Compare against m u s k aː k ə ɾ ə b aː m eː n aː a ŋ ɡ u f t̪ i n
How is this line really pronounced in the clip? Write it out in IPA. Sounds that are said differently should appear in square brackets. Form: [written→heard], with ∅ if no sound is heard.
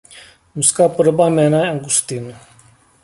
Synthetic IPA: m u s k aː [k→p] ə ɾ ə b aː m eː n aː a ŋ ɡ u [f→s] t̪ i n